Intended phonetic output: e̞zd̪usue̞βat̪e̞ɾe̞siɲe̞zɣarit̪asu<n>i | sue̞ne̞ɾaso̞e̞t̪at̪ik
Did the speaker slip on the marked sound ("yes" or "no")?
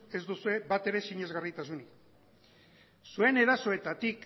no